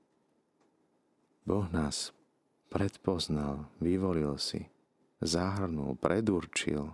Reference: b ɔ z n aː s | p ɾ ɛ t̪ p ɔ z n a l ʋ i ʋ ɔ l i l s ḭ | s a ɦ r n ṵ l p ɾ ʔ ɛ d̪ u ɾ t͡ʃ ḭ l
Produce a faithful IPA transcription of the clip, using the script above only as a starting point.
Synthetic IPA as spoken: b ɔ ɣ n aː s | p ɾ ɛ t̪ p ɔ z n a l ʋ i ʋ ɔ l i l s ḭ | z a ɦ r n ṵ l p ɾ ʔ ɛ d̪ u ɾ t͡ʃ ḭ l